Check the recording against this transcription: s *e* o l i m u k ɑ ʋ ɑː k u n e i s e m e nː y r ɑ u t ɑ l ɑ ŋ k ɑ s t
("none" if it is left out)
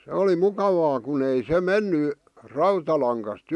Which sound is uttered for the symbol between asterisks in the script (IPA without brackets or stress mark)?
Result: e